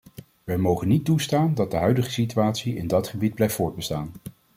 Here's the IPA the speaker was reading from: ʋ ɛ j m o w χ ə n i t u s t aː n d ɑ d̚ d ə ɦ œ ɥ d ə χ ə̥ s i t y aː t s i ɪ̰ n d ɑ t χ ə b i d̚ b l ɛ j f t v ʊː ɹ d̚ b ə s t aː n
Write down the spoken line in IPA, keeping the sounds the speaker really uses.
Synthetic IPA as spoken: ʋ ɛ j m o w χ ə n i t u s t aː n d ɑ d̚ d ə ɦ œ ɥ d ə χ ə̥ s i t y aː t s i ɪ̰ n d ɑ t χ ə b i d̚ b l ɛ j f t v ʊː ɹ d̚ b ə s t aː n